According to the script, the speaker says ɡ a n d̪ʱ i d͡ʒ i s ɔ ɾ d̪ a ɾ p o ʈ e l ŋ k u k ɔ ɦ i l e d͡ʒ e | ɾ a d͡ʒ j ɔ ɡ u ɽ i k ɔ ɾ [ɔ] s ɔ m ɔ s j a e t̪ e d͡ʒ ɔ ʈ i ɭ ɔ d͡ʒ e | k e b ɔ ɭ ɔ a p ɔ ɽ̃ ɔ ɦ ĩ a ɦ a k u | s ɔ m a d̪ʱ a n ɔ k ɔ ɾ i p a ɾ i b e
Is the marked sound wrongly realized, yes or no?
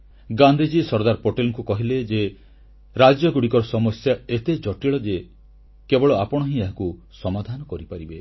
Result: no